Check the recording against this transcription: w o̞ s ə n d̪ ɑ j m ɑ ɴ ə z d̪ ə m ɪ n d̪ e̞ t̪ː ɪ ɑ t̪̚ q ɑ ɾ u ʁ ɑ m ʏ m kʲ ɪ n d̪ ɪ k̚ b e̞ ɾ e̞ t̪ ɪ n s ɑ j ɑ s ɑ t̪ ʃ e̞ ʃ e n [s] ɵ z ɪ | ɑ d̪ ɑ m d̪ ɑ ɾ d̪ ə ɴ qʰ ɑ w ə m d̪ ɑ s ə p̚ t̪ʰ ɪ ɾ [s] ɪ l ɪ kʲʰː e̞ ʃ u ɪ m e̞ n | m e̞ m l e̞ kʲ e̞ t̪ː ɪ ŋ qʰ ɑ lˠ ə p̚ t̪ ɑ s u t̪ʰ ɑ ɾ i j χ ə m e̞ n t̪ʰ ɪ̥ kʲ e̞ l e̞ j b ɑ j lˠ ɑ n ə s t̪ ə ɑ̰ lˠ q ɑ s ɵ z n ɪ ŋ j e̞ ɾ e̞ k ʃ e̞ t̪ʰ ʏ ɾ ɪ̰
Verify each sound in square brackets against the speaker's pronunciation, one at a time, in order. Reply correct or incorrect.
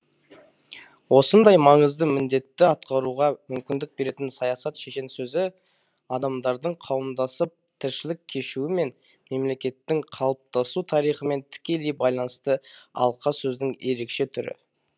correct, incorrect: ʃ

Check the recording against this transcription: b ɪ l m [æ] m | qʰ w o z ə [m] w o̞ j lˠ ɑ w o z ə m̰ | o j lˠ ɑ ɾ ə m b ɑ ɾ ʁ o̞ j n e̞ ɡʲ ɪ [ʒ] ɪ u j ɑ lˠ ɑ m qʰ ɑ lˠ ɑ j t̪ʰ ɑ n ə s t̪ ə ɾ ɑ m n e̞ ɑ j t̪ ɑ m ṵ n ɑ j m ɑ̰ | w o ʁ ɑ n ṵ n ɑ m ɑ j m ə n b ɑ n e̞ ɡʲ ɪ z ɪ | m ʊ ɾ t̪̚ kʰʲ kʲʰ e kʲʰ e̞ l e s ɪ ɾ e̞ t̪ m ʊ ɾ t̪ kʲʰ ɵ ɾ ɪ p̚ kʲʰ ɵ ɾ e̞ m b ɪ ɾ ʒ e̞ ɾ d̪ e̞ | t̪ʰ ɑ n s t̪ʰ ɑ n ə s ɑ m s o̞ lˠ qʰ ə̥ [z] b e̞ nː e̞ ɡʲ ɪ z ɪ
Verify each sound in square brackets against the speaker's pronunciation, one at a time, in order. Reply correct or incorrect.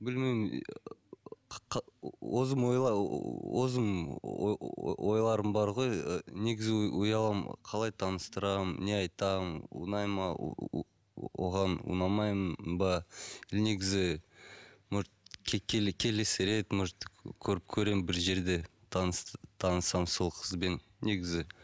incorrect: e, correct, incorrect: z, correct

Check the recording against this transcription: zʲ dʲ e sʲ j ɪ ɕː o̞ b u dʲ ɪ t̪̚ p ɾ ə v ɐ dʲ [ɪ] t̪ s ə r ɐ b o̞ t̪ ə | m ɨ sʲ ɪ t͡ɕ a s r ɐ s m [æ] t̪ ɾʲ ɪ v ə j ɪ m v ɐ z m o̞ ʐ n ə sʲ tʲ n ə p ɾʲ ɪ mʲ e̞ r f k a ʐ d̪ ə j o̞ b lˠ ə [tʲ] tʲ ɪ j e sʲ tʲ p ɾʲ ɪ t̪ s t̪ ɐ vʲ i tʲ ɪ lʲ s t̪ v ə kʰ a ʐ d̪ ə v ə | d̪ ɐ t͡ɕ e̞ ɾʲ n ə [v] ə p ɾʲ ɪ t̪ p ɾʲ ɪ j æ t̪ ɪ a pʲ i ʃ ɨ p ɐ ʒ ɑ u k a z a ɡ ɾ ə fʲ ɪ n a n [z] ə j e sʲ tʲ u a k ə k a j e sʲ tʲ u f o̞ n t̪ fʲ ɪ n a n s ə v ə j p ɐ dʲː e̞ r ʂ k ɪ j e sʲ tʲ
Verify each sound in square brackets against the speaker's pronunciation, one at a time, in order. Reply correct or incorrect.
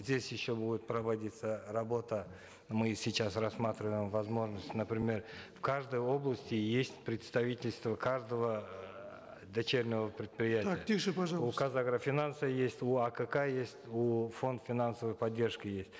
incorrect: i, incorrect: a, incorrect: sʲ, correct, incorrect: s

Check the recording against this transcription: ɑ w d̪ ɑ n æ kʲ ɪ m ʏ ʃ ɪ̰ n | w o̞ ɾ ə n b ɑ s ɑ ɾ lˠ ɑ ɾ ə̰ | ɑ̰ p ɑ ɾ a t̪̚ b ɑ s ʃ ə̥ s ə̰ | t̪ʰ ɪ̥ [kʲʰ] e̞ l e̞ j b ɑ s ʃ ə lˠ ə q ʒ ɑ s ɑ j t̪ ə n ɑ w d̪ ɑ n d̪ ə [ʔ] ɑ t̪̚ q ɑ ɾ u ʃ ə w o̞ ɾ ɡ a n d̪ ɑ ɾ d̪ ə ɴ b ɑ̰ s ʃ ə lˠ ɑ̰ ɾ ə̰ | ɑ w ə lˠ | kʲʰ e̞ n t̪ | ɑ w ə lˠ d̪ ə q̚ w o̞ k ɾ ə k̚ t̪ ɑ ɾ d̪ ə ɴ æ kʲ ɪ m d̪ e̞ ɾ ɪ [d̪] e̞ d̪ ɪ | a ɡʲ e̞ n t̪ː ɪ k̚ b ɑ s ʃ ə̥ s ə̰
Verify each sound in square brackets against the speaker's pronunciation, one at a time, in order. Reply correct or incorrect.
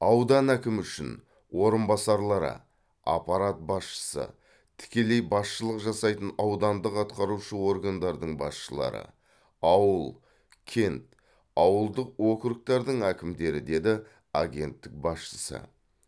incorrect: kʲ, incorrect: q, correct

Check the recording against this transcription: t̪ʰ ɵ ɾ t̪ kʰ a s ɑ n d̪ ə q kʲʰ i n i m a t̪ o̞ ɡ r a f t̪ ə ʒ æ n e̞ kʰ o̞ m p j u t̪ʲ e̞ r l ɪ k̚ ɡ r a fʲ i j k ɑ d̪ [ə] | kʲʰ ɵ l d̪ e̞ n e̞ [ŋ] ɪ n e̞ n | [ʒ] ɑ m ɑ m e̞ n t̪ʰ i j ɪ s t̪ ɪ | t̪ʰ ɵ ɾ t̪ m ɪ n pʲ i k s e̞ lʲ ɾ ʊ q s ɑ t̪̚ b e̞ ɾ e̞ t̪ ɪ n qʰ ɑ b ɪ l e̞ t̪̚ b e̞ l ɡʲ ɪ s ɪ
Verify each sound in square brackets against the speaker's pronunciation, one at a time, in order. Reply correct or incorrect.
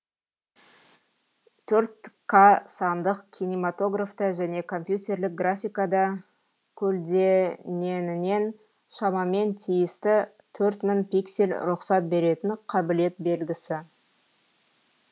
incorrect: ɑ, incorrect: n, incorrect: ʃ

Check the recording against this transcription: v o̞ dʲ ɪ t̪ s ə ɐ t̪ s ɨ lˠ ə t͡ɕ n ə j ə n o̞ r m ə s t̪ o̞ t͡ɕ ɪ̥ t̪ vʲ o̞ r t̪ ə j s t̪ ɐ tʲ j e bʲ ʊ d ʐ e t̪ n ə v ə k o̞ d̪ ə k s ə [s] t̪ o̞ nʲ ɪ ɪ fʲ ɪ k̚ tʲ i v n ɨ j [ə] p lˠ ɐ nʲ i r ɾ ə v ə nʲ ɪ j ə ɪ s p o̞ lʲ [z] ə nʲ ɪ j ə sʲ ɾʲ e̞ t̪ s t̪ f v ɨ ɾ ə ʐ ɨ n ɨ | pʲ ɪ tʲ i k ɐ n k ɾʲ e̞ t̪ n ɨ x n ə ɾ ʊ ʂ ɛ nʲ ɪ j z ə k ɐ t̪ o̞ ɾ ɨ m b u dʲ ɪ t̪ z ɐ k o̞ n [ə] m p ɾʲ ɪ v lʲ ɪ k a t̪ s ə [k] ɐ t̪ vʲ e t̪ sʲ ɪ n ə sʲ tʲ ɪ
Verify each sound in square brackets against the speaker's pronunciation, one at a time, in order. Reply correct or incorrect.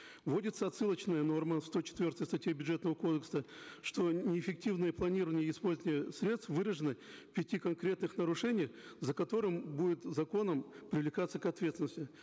incorrect: ʂ, correct, correct, correct, correct

